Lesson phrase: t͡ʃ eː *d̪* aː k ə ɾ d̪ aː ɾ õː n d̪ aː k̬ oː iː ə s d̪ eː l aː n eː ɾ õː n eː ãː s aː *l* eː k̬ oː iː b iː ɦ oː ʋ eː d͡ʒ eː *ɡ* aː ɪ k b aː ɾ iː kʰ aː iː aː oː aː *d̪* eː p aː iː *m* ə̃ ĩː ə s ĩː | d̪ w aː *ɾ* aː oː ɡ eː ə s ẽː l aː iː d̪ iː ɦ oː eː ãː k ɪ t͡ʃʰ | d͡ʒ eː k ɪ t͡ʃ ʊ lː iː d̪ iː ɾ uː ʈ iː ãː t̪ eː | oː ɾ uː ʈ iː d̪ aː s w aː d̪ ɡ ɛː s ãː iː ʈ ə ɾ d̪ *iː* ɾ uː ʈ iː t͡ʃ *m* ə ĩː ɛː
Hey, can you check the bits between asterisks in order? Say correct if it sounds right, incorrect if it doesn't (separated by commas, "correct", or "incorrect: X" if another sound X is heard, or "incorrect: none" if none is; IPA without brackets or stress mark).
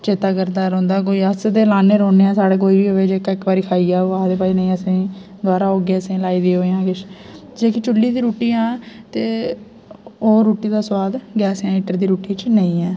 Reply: incorrect: t̪, incorrect: ɽ, incorrect: k, correct, incorrect: n, correct, correct, incorrect: n